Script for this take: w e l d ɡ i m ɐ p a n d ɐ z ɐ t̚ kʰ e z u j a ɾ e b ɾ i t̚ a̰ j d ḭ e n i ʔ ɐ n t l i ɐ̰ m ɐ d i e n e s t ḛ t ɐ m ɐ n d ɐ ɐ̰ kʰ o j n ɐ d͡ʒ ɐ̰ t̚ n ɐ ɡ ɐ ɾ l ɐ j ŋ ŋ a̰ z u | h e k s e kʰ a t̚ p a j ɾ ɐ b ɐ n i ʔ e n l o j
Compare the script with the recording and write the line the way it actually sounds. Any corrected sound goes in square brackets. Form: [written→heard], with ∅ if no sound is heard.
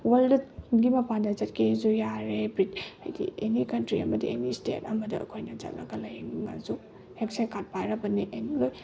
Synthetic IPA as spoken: w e l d ɡ i m ɐ p a n d ɐ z ɐ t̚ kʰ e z u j a ɾ e b ɾ i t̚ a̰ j d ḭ e n i [ʔ→k] ɐ n t [l→ɾ] i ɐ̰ m ɐ d i e n [e→i] s t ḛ t ɐ m ɐ [n→∅] d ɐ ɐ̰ kʰ o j n ɐ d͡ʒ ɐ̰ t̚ n ɐ ɡ ɐ [ɾ→∅] l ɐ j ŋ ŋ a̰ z u | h e k s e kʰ a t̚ p a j ɾ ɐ b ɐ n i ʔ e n l o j